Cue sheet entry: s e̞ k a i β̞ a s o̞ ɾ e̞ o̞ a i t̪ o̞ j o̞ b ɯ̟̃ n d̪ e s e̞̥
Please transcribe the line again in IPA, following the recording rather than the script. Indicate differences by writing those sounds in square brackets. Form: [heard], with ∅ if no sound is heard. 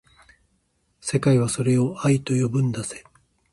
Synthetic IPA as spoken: s e̞ k a i β̞ a s o̞ ɾ e̞ o̞ a i t̪ o̞ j o̞ b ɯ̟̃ n d̪ [a] s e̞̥